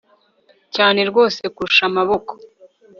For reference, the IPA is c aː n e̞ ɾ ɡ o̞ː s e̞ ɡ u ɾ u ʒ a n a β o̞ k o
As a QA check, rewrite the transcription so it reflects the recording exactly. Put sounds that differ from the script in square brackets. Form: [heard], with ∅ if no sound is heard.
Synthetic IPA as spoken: c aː n e̞ ɾ ɡ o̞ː s e̞ [k] u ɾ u [ʃ] a [m] a β o̞ k o